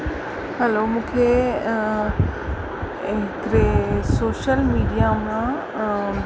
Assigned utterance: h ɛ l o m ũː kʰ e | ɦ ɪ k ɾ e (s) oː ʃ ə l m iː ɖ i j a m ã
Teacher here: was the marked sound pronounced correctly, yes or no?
yes